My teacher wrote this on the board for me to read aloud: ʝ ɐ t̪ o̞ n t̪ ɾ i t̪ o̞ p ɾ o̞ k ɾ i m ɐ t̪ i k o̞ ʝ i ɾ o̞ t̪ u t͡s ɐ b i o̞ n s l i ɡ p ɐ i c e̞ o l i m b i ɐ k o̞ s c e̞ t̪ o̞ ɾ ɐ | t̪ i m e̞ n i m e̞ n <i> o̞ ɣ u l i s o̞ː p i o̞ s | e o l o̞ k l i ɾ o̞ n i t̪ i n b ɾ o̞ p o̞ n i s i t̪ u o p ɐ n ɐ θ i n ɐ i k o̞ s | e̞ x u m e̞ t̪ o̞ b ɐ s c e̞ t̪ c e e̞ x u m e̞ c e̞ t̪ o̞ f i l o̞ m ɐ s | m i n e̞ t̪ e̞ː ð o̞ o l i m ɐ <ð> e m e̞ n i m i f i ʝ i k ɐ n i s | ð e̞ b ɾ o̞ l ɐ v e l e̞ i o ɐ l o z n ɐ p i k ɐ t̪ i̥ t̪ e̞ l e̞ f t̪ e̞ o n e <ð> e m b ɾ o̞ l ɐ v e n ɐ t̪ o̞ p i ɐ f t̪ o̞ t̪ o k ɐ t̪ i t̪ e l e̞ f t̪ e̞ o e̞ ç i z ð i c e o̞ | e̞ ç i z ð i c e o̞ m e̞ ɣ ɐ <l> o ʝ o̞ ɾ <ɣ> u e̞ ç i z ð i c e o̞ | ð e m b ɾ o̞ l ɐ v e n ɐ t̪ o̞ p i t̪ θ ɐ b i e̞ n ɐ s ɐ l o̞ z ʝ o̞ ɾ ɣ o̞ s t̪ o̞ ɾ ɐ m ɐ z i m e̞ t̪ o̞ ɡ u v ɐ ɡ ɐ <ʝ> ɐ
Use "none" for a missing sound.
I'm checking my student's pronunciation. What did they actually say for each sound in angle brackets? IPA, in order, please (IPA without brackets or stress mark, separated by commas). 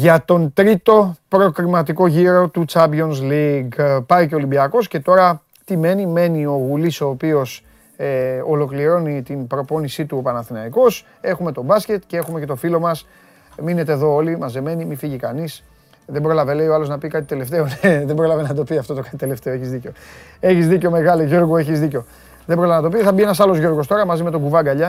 i, z, ð, l, ɣ, ʎ